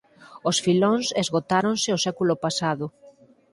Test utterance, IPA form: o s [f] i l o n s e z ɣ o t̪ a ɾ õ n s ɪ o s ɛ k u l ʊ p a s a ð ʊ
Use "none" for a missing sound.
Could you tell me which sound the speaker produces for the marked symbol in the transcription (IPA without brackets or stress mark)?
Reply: f